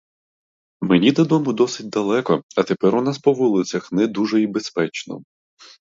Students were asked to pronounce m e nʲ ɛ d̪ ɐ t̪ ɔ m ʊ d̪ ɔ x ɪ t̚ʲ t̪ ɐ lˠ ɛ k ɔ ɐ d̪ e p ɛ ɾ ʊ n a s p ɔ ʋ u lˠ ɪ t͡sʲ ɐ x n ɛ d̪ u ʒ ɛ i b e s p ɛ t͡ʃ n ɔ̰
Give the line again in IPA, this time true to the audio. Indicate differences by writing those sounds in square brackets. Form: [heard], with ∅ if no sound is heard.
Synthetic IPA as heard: m e nʲ [i] d̪ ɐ [d̪] ɔ m ʊ d̪ ɔ [s] ɪ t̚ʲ [d̪] ɐ lˠ ɛ k ɔ ɐ [t̪] e p ɛ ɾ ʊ n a s p ɔ ʋ u lˠ ɪ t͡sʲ ɐ x n ɛ d̪ u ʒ ɛ i b e s p ɛ t͡ʃ n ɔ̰

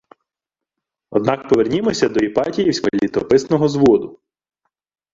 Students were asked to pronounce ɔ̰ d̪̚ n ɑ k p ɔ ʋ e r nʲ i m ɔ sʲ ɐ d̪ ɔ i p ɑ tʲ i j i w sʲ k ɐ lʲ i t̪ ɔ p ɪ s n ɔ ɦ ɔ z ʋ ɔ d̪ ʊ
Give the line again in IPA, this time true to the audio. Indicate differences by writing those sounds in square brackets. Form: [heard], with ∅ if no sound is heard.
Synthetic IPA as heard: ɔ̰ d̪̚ n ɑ k p ɔ ʋ e r nʲ i m ɔ sʲ ɐ d̪ ɔ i p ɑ tʲ i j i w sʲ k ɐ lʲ i t̪ ɔ p ɪ s n ɔ ɦ ɔ z ʋ ɔ d̪ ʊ

